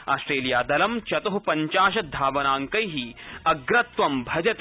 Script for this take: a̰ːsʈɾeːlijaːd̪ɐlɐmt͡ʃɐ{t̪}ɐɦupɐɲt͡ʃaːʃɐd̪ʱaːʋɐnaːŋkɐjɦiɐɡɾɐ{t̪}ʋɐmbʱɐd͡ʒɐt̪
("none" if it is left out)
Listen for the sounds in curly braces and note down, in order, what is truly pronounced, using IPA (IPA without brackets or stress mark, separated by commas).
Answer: t̪, t̪